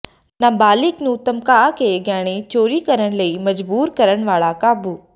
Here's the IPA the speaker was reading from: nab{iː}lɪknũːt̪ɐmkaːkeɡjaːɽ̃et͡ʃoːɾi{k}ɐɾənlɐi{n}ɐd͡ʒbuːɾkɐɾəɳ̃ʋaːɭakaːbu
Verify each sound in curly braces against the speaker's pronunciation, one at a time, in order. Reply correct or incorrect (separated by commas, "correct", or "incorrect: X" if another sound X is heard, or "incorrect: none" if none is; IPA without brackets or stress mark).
incorrect: aː, correct, incorrect: m